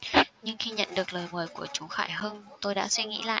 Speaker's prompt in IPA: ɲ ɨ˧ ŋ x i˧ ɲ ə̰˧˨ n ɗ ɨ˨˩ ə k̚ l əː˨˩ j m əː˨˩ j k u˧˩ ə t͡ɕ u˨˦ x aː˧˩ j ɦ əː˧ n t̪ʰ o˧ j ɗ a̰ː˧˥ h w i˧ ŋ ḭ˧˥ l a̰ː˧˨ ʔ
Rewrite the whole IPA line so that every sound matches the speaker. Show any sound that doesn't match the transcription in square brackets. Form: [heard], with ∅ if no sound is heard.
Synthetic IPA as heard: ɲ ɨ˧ ŋ x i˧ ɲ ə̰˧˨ n ɗ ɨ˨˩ ə k̚ l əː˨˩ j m əː˨˩ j k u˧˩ ə t͡ɕ u˨˦ x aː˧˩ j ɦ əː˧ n [t̪] o˧ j ɗ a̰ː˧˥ [s] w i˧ ŋ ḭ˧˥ l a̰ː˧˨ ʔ